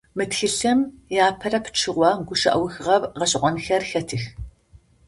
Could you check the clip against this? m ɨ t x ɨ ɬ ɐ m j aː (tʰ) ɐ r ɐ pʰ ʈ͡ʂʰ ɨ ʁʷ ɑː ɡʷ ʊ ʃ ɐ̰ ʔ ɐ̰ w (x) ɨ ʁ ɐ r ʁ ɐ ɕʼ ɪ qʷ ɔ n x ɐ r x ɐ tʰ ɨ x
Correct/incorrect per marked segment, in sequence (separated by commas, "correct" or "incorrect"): incorrect, correct